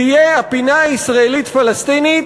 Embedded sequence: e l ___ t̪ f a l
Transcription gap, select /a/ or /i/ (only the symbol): i